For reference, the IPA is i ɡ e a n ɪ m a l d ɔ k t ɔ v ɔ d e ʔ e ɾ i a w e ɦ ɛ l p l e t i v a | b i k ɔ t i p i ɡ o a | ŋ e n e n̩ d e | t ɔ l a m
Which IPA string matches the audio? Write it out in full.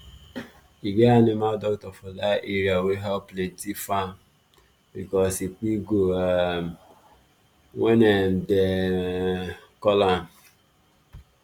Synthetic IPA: i ɡ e a n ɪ m a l d ɔ k t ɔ f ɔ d a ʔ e ɾ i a w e ɦ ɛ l p l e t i f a | b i k ɔ s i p i ɡ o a | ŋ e n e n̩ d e | k ɔ l a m